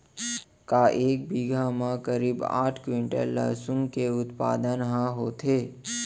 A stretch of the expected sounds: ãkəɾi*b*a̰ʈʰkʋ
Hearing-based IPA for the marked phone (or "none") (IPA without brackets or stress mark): b